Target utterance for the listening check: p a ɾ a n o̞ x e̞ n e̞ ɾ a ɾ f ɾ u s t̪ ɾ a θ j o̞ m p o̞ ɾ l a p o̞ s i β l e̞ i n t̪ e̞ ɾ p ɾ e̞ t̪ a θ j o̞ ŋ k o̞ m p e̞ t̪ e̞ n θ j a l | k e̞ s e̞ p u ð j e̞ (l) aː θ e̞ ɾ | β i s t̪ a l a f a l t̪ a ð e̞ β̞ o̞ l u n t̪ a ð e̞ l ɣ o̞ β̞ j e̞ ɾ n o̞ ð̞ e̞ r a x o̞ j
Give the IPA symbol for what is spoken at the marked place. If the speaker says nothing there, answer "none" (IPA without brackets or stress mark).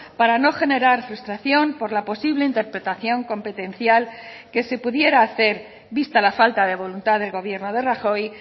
ɾ